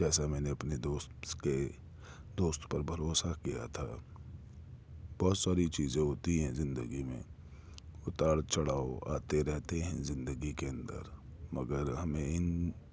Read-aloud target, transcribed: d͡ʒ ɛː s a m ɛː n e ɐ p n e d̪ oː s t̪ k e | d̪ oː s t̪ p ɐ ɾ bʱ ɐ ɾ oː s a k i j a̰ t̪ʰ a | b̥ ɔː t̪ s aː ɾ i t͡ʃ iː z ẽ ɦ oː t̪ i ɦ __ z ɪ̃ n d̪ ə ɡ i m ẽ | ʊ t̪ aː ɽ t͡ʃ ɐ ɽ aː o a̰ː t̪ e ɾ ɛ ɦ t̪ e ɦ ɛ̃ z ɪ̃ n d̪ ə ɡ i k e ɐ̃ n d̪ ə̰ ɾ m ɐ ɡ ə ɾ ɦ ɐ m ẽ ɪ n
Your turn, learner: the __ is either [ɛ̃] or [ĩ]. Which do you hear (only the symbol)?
ɛ̃